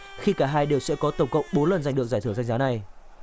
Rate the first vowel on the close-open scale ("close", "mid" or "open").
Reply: close